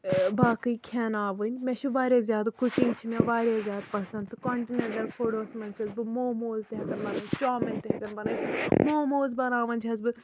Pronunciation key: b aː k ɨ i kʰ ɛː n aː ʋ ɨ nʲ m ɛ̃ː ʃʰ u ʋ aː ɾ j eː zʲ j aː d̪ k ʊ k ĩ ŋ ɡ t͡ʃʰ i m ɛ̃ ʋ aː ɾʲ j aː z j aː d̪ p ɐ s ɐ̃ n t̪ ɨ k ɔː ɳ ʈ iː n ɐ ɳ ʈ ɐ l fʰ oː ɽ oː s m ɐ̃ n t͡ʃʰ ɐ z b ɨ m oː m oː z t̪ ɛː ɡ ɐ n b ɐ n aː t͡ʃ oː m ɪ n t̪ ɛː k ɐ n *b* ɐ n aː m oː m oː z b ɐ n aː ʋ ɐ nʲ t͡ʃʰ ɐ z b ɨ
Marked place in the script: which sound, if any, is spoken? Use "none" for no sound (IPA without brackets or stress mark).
b